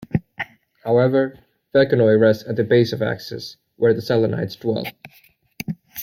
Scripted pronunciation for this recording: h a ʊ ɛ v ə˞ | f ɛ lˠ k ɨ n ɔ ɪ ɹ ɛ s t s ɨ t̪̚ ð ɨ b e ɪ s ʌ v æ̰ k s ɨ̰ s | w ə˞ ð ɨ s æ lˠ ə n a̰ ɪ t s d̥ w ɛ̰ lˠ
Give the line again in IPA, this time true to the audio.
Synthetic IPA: h a ʊ ɛ v ə˞ | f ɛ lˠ k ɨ n ɔ ɪ ɹ ɛ s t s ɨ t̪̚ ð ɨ b e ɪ s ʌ v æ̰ k s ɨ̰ s | w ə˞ ð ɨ s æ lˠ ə n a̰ ɪ t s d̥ w ɛ̰ lˠ